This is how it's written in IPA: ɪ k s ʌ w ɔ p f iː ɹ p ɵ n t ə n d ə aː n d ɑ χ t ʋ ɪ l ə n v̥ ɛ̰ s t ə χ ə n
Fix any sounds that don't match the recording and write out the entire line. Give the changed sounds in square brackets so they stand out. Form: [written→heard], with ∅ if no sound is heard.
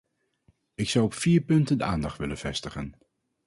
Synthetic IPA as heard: ɪ k s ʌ w ɔ p f iː ɹ p ɵ n t ə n d ə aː n d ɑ χ t ʋ ɪ l ə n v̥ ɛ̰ s t ə χ ə n